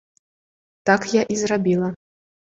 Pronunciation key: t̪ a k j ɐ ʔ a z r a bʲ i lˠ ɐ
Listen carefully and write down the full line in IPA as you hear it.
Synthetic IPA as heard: t̪ a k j a ʔ i z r a bʲ i lˠ ɐ